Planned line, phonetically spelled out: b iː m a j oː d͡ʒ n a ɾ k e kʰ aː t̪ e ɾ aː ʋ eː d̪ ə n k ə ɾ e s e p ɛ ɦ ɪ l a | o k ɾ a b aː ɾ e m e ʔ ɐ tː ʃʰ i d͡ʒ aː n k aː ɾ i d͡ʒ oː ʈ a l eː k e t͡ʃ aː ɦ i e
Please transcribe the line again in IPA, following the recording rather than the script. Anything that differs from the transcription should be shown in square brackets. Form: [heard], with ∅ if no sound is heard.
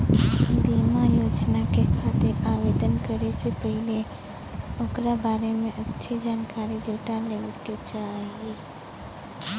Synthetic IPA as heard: b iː m a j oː d͡ʒ n a [∅] k e kʰ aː t̪ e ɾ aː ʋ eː d̪ ə n k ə ɾ e s e p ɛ ɦ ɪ l [e] | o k ɾ a b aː ɾ e m [ẽ] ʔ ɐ tː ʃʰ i d͡ʒ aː n k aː ɾ i d͡ʒ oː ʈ a l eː k e t͡ʃ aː ɦ i e